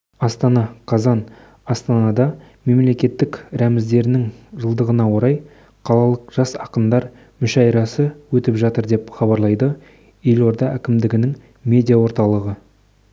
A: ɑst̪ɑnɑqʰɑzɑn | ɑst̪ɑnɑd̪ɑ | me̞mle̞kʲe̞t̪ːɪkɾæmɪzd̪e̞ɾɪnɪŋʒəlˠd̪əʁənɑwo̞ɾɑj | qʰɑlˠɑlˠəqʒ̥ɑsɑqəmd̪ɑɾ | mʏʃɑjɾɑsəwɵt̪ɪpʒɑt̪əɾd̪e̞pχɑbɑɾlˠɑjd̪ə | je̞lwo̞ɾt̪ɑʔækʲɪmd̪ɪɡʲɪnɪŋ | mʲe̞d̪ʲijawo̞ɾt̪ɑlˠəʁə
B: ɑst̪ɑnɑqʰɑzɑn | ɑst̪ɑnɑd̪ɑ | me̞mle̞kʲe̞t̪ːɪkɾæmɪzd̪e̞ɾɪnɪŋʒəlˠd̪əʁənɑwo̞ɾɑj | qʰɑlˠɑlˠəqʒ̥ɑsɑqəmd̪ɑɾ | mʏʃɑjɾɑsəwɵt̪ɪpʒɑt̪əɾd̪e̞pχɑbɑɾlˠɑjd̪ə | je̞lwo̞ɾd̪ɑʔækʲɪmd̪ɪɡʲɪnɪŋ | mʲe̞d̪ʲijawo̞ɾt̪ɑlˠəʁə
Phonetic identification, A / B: B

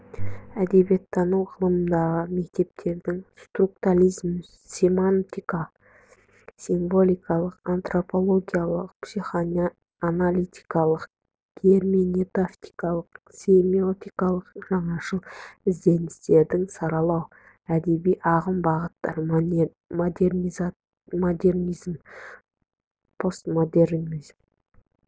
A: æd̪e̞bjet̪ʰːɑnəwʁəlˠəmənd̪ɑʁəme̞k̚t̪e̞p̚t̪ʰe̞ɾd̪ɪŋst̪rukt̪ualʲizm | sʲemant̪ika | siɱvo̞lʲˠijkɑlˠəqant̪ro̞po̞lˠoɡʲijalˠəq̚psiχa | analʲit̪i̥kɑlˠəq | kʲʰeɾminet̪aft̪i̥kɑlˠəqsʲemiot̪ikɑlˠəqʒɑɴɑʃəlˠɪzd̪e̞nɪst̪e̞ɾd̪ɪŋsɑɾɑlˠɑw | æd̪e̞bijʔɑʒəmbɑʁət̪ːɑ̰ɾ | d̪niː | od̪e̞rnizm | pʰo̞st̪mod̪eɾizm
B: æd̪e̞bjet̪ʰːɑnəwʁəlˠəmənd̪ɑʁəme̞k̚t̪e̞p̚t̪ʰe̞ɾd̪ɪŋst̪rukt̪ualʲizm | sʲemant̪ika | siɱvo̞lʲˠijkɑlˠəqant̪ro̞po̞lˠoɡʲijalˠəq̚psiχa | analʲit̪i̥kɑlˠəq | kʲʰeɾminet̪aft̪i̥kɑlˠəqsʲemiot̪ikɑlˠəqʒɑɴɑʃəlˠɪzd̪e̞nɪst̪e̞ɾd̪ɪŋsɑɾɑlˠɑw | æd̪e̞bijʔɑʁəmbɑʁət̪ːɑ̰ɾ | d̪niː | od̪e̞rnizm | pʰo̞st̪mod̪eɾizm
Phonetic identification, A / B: B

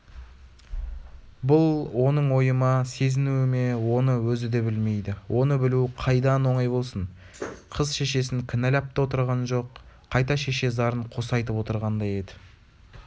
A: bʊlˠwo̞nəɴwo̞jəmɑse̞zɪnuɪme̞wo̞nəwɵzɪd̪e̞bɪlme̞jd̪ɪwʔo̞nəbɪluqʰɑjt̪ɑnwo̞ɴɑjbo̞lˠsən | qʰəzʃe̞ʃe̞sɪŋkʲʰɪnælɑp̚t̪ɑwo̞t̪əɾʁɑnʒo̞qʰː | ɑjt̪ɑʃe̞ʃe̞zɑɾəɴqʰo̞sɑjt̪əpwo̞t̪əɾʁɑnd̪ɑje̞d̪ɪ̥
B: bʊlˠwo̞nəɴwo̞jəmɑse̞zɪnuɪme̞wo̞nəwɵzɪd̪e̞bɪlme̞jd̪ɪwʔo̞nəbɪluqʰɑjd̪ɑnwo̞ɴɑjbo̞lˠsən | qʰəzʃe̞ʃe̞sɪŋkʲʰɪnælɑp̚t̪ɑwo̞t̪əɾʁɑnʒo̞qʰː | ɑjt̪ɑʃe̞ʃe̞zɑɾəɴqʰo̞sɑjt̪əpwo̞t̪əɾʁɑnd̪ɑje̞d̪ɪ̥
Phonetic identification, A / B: B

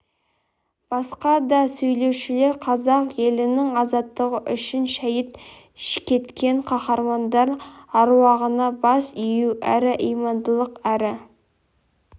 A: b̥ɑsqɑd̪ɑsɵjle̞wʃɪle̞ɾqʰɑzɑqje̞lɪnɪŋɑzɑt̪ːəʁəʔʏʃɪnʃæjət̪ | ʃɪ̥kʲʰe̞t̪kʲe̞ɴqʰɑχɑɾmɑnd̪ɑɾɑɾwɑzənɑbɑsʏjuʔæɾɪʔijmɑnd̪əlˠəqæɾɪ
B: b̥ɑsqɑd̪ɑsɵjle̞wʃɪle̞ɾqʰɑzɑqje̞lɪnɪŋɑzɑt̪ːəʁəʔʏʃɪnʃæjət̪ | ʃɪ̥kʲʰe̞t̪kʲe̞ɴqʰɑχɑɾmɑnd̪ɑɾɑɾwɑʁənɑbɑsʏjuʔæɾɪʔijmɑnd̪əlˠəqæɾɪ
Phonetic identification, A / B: B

